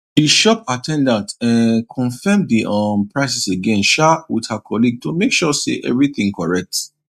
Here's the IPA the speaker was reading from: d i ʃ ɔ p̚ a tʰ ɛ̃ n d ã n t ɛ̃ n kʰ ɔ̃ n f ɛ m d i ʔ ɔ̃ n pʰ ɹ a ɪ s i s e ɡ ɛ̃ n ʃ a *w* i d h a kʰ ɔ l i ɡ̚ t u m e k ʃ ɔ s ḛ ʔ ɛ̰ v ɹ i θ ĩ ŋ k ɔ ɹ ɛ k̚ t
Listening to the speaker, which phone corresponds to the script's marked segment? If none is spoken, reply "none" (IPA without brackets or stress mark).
w